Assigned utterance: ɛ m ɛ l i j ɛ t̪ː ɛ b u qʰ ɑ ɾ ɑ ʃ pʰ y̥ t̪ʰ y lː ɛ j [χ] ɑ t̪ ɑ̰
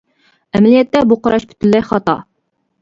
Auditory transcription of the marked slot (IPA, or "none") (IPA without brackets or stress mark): χ